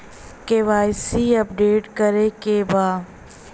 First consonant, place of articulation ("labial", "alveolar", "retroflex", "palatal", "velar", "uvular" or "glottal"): velar